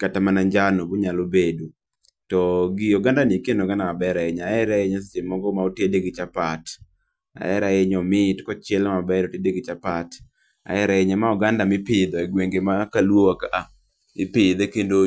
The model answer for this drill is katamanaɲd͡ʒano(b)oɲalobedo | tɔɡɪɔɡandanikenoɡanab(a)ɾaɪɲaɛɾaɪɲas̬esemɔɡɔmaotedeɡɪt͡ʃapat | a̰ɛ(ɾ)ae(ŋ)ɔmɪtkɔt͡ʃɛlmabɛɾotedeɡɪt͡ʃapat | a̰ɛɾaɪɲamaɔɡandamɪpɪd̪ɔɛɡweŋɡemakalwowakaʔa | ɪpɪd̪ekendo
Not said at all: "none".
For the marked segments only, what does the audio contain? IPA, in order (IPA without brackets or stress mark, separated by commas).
b, ɛ, ɾ, ɲ